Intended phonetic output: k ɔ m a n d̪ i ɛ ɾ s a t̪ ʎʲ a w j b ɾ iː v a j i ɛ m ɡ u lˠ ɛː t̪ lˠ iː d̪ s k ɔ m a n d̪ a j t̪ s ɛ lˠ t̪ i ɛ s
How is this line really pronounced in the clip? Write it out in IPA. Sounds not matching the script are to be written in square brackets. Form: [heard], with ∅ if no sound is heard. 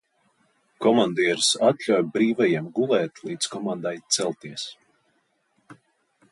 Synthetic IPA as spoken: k ɔ m a n d̪ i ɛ ɾ s a t̪ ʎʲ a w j b ɾ iː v a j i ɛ m ɡ u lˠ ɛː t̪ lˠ iː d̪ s k ɔ m a n d̪ a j t̪ s ɛ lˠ t̪ i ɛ s